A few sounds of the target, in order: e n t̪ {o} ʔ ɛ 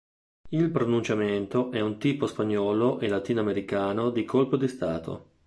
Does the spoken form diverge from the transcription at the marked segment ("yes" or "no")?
no